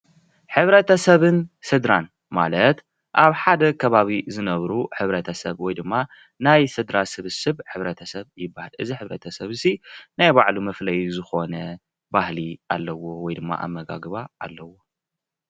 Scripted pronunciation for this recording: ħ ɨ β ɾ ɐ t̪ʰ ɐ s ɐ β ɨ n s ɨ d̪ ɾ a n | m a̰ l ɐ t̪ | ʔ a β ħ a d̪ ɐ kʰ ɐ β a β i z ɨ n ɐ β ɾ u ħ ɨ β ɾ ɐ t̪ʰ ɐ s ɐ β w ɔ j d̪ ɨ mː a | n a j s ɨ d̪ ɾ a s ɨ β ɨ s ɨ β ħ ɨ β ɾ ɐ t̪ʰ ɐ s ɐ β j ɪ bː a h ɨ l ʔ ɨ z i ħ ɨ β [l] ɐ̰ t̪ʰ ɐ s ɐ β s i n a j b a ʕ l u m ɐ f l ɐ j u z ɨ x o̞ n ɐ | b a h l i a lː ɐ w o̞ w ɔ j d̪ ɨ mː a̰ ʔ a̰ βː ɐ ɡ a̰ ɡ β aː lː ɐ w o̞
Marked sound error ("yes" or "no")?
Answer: yes